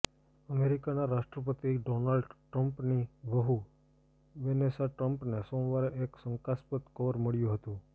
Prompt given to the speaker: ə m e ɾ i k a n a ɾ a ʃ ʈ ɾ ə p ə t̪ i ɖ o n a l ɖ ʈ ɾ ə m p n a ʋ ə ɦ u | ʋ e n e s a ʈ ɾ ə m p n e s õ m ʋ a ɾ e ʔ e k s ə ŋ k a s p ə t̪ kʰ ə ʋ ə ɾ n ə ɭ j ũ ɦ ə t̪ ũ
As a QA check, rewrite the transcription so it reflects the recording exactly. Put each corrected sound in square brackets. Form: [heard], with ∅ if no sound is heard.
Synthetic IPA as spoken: ə m e ɾ i k a n a ɾ a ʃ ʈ ɾ ə p ə t̪ i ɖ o n a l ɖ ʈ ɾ ə m p n [i] ʋ ə ɦ u | ʋ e n e s a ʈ ɾ ə m p n e s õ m ʋ a ɾ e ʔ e k s ə ŋ k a s p ə t̪ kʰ ə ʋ ə ɾ [m] ə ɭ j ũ ɦ ə t̪ ũ